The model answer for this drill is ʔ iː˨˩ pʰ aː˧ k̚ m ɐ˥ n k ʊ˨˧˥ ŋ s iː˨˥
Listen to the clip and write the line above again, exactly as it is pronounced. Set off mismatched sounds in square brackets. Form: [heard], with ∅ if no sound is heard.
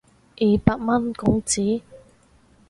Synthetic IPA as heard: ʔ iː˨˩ [p] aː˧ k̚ m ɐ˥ n k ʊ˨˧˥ ŋ [t͡s] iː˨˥

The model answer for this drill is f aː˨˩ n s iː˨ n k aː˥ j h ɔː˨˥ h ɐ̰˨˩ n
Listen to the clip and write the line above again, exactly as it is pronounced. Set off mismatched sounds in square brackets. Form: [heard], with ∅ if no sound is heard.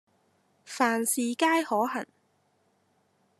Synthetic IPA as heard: f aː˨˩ n s iː˨ [∅] k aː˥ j h ɔː˨˥ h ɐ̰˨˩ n

